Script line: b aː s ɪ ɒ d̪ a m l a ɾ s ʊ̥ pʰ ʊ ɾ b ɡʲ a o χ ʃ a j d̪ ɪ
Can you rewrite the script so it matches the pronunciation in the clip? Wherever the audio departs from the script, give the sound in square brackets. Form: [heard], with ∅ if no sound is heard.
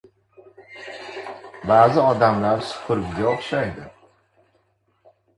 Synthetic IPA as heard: b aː [z] ɪ ɒ d̪ a m l a ɾ s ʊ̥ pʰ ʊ ɾ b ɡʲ a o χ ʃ a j d̪ ɪ